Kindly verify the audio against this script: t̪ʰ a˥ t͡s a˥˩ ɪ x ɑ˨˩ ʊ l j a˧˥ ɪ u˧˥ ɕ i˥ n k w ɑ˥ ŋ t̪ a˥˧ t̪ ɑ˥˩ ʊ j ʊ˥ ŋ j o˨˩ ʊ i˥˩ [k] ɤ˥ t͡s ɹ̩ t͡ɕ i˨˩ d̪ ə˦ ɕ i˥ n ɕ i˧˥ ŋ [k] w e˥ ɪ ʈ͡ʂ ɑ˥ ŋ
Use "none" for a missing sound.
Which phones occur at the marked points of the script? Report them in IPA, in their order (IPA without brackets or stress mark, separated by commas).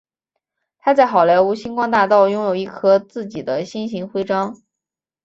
kʰ, x